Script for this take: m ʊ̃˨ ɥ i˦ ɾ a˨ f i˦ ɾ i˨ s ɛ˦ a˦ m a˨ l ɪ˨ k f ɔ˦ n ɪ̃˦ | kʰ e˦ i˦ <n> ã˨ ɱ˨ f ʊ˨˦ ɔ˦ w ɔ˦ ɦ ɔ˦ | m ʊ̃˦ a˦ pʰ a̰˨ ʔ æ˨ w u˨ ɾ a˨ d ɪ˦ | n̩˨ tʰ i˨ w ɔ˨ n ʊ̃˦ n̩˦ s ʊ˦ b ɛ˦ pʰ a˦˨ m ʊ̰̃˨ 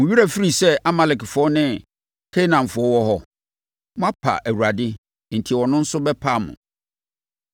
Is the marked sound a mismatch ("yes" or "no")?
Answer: no